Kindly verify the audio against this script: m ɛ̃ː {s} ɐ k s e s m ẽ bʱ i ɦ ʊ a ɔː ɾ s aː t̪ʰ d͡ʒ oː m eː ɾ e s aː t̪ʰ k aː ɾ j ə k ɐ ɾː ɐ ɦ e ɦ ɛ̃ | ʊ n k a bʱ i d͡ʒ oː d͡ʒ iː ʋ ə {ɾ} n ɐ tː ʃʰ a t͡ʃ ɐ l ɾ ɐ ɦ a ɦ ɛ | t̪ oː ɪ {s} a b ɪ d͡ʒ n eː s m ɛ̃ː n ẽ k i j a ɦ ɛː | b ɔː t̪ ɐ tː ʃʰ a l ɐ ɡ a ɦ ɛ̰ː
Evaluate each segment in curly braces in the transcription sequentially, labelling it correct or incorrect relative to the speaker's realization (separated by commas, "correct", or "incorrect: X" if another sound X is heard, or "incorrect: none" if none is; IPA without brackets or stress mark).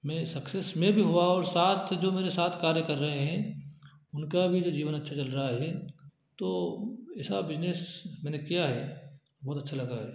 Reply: correct, incorrect: none, correct